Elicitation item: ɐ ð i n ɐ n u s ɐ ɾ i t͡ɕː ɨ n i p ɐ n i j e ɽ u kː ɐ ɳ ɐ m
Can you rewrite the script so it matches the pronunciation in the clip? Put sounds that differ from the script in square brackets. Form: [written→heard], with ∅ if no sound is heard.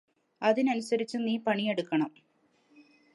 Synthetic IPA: ɐ ð i n ɐ n u s ɐ ɾ i t͡ɕː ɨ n [i→iː] p ɐ [n→ɳ] i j e ɽ u kː ɐ ɳ ɐ m